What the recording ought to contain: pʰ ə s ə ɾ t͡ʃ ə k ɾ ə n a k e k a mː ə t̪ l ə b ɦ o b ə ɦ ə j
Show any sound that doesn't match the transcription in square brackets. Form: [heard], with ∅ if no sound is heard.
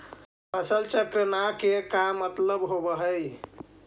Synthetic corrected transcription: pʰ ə s ə [l] t͡ʃ ə k ɾ ə n a k e k a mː ə t̪ l ə b ɦ o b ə ɦ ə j